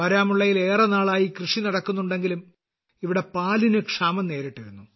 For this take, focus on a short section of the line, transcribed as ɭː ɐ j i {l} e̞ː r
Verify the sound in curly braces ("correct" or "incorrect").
correct